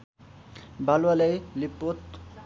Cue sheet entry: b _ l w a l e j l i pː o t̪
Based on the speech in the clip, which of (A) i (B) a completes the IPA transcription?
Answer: B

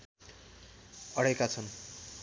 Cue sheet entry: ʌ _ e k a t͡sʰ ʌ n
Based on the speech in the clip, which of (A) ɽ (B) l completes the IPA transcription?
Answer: A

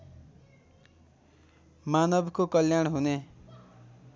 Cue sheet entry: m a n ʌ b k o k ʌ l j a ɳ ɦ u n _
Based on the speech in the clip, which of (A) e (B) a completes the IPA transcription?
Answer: A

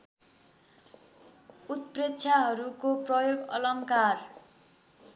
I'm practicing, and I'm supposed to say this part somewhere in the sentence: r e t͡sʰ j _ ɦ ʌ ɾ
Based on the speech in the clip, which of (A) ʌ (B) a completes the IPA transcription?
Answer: B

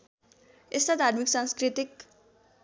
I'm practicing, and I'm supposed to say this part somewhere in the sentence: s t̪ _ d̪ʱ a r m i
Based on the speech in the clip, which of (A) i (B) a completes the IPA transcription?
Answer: B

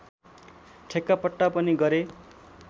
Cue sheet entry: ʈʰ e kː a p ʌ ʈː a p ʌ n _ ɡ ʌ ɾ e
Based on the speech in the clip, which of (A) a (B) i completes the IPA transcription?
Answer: B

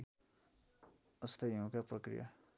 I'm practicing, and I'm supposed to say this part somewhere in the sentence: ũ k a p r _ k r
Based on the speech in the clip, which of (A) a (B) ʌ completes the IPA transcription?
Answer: B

